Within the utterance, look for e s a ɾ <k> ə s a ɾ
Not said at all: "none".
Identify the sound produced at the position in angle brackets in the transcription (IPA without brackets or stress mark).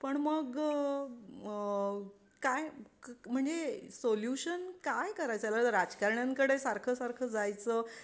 kʰ